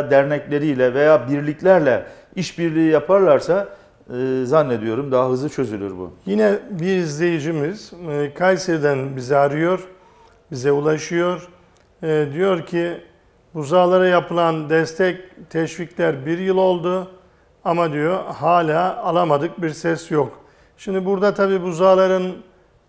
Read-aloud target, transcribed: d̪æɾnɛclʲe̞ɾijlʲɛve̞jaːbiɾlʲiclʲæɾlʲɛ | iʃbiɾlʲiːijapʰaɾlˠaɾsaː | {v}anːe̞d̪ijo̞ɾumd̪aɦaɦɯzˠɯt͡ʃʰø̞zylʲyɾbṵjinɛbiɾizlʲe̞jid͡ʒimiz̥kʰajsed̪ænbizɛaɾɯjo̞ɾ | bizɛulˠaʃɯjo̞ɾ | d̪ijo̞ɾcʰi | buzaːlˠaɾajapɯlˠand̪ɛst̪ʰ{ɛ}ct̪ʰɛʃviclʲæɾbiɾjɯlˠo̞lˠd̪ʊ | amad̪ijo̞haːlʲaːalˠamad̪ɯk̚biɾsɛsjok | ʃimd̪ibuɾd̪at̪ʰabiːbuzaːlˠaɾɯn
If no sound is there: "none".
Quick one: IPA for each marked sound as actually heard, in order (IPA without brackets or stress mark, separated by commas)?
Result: z, ɛ